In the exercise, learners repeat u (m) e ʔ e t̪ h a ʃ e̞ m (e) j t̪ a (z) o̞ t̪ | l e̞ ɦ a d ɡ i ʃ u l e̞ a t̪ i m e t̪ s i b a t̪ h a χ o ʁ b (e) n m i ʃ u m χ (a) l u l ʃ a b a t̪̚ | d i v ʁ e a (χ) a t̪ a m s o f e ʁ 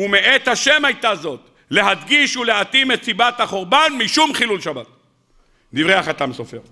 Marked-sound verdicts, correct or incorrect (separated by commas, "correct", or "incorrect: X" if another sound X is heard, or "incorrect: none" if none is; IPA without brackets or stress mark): correct, incorrect: a, correct, incorrect: a, incorrect: i, correct